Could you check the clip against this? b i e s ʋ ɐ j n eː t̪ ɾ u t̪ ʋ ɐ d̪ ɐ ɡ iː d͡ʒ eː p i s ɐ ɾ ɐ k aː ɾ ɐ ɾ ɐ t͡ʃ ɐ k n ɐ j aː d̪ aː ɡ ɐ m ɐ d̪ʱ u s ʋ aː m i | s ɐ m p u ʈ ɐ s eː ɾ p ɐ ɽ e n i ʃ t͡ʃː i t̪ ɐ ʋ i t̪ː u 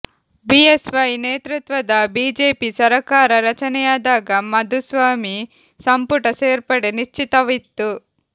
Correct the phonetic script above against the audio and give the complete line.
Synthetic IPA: b i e s ʋ ɐ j n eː t̪ ɾ u t̪ ʋ ɐ d̪ ɐ b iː d͡ʒ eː p i s ɐ ɾ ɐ k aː ɾ ɐ ɾ ɐ t͡ʃ ɐ n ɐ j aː d̪ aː ɡ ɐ m ɐ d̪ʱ u s ʋ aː m i | s ɐ m p u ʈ ɐ s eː ɾ p ɐ ɽ e n i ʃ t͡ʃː i t̪ ɐ ʋ i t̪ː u